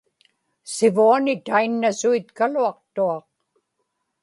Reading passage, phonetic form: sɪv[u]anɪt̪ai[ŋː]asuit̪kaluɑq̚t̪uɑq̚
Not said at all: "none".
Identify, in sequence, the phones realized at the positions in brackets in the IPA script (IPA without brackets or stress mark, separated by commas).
u, nː